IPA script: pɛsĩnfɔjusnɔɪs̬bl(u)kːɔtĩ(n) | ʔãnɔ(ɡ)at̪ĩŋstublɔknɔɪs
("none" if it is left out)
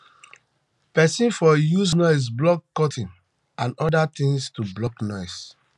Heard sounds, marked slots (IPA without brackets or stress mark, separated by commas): ɔ, n, d